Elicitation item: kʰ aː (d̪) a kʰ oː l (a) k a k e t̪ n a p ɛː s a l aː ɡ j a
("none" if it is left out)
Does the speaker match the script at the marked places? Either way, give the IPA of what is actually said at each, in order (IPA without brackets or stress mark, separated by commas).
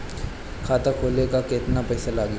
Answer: t̪, e